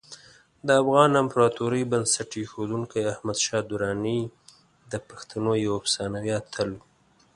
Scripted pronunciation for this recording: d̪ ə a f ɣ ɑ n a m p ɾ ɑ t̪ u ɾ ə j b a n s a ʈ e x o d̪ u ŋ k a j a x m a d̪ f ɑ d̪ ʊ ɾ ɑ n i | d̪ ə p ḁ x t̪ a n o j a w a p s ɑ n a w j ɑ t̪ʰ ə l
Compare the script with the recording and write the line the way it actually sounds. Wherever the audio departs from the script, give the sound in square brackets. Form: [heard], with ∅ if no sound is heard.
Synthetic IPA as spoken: d̪ ə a f ɣ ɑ n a m p ɾ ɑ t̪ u ɾ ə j b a n s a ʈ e x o d̪ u ŋ k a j a [h] m a d̪ [ʃ] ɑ d̪ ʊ ɾ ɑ n i | d̪ ə p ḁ x t̪ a n o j a w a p s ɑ n a w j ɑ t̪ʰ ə l